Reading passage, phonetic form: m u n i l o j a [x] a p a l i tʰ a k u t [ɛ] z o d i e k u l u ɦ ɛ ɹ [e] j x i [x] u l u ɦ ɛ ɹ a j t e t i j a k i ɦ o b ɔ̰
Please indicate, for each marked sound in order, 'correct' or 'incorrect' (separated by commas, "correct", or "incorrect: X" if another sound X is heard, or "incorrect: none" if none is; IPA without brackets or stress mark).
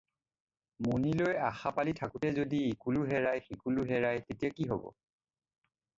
correct, correct, incorrect: a, incorrect: k